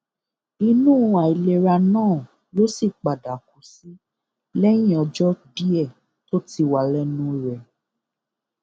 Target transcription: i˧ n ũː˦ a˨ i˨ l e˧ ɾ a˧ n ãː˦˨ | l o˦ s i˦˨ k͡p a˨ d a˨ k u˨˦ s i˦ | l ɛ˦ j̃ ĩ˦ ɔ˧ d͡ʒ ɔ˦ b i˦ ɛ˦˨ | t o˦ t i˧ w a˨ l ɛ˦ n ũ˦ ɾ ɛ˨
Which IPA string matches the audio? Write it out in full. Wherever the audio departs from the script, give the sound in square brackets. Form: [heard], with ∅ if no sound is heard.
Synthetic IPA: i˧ n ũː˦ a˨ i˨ l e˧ ɾ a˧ n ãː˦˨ | l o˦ s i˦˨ k͡p a˨ d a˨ k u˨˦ s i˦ | l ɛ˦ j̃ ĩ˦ ɔ˧ d͡ʒ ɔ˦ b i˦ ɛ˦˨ | t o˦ t i˧ w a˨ l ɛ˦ n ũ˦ ɾ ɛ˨